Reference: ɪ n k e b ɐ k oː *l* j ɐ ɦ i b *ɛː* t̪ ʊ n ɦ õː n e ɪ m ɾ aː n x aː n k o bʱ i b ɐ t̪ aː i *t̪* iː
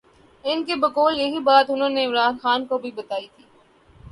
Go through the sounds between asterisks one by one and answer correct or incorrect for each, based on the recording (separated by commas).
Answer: correct, incorrect, incorrect